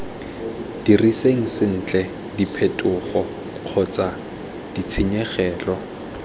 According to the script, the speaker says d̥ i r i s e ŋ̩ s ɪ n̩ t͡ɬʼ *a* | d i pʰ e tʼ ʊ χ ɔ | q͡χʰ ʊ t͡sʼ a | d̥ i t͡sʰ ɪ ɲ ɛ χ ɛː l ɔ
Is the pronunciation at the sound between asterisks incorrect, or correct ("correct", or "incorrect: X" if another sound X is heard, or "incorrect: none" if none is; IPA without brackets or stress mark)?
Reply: incorrect: ɛ